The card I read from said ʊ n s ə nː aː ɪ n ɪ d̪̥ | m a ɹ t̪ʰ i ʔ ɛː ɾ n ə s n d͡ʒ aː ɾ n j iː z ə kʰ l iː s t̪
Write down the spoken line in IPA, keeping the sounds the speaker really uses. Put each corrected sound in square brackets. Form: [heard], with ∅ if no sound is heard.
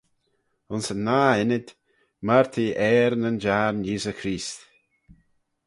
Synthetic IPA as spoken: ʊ n s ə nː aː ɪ n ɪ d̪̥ | m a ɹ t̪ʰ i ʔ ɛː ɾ n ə [∅] n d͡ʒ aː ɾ n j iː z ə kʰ [ɾ] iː s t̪